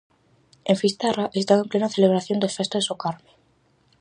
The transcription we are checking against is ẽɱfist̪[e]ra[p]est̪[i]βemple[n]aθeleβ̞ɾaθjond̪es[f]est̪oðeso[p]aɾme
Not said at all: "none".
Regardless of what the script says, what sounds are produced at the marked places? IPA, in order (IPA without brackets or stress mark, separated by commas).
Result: a, ʔ, a, n, f, k